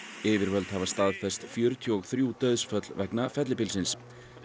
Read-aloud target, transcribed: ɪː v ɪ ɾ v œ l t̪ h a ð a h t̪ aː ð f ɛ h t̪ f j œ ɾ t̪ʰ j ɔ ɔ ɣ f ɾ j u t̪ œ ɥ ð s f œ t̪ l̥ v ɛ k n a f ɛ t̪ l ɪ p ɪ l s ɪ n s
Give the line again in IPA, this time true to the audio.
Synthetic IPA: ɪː v ɪ ɾ v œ l t̪ h a v a s t̪ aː ð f ɛ s t̪ f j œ ɾ t̪ʰ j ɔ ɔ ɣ θ ɾ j u t̪ œ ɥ ð s f œ t̪ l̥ v ɛ k n a f ɛ t̪ l ɪ p ɪ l s ɪ n s